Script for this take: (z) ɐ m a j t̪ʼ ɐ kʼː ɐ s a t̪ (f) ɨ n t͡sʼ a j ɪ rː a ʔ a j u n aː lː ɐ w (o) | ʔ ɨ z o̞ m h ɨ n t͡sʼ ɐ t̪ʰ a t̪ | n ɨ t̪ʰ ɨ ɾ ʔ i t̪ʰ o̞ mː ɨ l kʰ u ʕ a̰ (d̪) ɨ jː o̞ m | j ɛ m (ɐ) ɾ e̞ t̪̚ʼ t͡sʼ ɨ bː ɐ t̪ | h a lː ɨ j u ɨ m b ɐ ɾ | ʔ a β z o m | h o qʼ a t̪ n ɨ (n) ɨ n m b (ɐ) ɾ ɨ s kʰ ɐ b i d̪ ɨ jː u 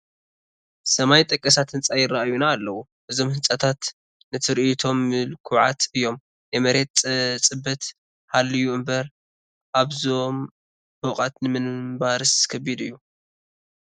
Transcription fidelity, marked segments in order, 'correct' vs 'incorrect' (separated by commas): incorrect, incorrect, incorrect, incorrect, correct, incorrect, incorrect